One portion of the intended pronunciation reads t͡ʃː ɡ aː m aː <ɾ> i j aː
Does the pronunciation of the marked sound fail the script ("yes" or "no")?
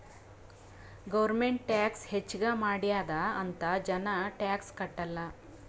yes